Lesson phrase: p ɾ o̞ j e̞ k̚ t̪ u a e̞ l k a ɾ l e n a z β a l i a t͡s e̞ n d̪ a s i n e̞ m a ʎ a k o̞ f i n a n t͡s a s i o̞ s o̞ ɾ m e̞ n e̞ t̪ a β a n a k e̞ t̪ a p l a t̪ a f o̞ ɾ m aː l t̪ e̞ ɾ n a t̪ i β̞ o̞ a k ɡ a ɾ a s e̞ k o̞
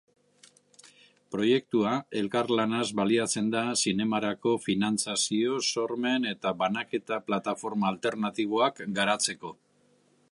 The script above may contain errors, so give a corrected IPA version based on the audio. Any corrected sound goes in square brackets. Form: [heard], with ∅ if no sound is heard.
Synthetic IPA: p ɾ o̞ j e̞ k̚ t̪ u a e̞ l k a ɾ l [a] n a z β a l i a t͡s e̞ n d̪ a s i n e̞ m a [ɾ] a k o̞ f i n a n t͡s a s i o̞ s o̞ ɾ m e̞ n e̞ t̪ a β a n a k e̞ t̪ a p l a t̪ a f o̞ ɾ m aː l t̪ e̞ ɾ n a t̪ i β̞ o̞ a k ɡ a ɾ a [t͡s] e̞ k o̞